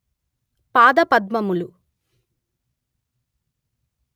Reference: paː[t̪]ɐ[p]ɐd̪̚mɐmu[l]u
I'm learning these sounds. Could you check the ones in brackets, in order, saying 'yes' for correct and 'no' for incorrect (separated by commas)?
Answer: no, yes, yes